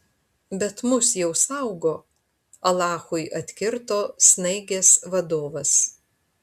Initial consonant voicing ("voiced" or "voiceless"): voiced